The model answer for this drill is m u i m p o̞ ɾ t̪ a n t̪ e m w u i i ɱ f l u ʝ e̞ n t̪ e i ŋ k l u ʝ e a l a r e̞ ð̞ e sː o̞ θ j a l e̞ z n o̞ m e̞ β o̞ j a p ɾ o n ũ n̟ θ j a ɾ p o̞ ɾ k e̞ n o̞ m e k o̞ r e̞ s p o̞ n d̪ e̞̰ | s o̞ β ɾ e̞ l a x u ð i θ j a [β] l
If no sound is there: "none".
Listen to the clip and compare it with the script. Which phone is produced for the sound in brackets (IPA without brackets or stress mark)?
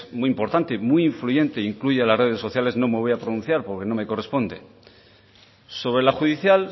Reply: none